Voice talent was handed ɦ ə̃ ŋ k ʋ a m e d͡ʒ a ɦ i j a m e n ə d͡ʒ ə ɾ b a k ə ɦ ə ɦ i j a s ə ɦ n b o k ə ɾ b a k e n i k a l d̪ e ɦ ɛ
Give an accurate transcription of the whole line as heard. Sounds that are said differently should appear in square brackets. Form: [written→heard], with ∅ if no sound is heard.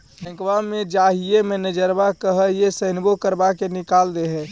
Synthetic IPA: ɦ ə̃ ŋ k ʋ a m e d͡ʒ a ɦ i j [a→e] m e n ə d͡ʒ ə ɾ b a k ə ɦ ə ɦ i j [a→e] s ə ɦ n b o k ə ɾ b a k e n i k a l d̪ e ɦ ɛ